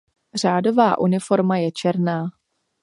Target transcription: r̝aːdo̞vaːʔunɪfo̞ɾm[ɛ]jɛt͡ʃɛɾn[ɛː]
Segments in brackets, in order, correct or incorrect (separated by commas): incorrect, incorrect